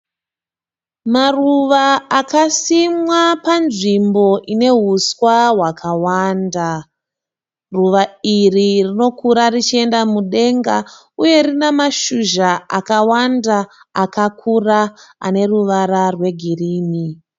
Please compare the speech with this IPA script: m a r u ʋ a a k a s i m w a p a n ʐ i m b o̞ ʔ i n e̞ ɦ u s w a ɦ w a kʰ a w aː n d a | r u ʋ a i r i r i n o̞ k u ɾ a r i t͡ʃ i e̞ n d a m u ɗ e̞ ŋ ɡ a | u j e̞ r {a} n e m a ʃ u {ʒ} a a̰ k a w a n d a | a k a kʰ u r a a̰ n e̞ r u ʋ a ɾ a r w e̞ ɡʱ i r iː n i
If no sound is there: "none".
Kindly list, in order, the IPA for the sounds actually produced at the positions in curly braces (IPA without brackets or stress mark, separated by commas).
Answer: i, ʒ